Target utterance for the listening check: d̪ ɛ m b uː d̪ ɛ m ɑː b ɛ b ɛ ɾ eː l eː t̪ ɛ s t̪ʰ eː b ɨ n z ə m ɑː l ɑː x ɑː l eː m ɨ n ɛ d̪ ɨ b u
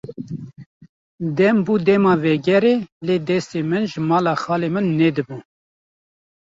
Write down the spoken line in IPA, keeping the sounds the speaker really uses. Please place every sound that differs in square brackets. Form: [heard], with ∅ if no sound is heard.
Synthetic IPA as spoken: d̪ ɛ m b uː d̪ ɛ m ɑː [v] ɛ [ɡ] ɛ ɾ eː l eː [d̪] ɛ s [t̪] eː [m] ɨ n [ʒ] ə m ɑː l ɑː x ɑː l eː m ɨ [nː] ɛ d̪ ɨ b u